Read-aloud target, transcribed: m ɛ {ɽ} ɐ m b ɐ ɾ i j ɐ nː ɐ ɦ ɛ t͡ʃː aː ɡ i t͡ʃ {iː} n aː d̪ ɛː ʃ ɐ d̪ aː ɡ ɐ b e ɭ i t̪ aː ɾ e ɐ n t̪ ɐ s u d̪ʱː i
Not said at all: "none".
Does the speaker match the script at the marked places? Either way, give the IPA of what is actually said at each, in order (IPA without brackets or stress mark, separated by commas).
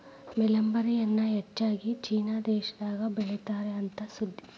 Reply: l, iː